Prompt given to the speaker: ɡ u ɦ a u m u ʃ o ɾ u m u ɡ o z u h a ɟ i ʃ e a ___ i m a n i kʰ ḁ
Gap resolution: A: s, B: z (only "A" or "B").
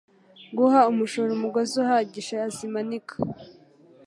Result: B